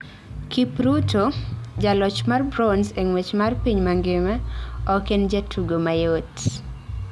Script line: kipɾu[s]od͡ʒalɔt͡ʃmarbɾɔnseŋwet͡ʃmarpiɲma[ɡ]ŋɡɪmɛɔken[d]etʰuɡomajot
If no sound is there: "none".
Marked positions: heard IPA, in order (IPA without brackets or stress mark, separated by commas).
t, none, d͡ʒ